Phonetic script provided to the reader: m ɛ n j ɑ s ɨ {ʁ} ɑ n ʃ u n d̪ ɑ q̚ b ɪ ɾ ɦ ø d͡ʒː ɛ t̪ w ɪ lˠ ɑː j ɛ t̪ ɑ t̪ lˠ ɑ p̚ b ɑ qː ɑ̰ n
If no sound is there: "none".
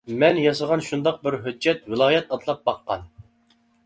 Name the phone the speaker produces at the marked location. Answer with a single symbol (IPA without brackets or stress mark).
ʁ